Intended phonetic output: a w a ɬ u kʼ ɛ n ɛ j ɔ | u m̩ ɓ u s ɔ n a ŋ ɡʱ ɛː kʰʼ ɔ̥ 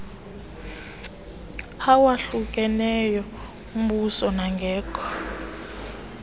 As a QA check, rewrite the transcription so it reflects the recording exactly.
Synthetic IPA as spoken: a w a ɬ u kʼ ɛ n ɛ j ɔ | u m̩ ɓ u s ɔ n a ŋ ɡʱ ɛː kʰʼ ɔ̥